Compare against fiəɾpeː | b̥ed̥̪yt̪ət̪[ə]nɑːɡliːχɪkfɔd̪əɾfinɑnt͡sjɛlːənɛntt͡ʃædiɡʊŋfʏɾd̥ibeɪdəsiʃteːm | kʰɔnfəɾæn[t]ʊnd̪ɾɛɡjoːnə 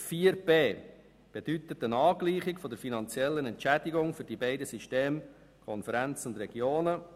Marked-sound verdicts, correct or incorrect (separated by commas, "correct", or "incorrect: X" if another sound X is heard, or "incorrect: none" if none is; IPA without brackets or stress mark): correct, incorrect: t͡s